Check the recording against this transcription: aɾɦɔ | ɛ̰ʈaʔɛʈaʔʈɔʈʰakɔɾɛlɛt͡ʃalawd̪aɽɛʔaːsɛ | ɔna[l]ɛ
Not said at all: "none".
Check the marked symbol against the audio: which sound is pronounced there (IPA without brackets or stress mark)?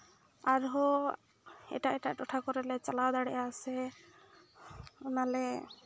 l